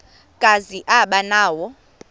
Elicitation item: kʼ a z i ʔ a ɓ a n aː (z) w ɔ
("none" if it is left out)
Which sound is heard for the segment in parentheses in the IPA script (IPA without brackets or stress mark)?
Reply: none